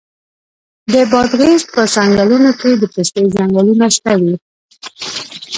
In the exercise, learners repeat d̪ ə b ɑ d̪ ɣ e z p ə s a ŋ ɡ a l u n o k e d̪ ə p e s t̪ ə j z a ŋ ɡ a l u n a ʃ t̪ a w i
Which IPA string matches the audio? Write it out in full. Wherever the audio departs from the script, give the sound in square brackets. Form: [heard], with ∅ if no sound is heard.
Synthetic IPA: d̪ ə b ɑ d̪ ɣ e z p ə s a ŋ ɡ a l u n o k e d̪ ə p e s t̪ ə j z a ŋ ɡ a l u n a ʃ t̪ a w i